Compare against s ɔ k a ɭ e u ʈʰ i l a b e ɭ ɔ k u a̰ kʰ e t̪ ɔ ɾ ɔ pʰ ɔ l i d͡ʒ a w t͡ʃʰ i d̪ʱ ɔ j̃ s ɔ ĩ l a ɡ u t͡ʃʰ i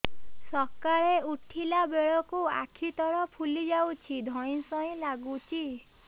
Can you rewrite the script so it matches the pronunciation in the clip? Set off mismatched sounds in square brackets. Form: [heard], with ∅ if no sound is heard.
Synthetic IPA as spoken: s ɔ k a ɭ e u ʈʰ i l a b e ɭ ɔ k u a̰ kʰ [i] t̪ ɔ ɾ ɔ pʰ [u] l i d͡ʒ a w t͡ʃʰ i d̪ʱ ɔ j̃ s ɔ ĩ l a ɡ u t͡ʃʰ i